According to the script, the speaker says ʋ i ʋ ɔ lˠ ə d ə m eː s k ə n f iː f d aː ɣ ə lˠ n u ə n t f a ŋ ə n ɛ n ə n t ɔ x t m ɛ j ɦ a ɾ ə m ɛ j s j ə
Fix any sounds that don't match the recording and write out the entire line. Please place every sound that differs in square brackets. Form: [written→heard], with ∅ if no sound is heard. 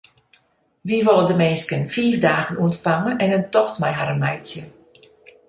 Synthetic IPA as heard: ʋ i ʋ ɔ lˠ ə d ə m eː s k ə n f iː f d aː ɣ ə [lˠ→∅] n u ə n t f a ŋ ə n ɛ n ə n t ɔ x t m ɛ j ɦ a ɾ ə m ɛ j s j ə